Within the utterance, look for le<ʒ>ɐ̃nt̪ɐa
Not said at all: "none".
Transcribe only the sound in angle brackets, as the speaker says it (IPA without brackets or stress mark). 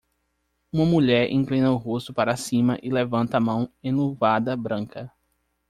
v